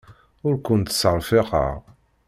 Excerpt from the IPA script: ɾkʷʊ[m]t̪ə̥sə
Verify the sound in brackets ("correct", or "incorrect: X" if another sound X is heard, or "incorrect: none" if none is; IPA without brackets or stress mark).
incorrect: n